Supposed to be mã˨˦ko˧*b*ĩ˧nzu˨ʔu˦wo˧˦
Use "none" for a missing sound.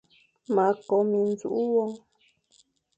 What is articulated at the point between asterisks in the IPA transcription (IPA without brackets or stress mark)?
m